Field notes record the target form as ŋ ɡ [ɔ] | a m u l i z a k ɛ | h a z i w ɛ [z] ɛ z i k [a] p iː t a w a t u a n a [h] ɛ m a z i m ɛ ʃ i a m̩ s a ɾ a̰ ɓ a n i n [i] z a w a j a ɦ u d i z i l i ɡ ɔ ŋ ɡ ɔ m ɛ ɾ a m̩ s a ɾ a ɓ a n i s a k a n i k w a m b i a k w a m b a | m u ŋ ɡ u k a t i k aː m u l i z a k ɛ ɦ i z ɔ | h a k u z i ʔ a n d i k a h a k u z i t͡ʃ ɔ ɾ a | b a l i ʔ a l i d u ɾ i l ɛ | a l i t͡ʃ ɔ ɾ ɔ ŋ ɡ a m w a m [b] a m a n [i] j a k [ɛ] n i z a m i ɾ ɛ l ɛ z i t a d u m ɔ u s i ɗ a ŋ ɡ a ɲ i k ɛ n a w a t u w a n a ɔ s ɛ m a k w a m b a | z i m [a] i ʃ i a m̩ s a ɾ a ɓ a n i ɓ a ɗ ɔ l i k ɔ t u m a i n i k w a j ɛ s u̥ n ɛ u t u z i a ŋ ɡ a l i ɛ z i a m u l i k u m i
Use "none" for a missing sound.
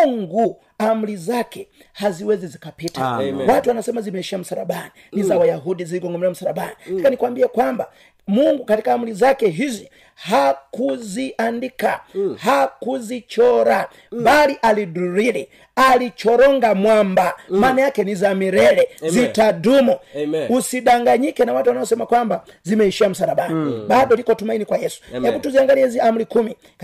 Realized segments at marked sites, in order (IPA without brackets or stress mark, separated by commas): u, z, a, s, i, b, a, ɛ, ɛ